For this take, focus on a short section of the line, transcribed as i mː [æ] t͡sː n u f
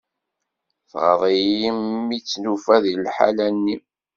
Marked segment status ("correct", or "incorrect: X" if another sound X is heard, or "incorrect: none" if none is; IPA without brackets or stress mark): incorrect: i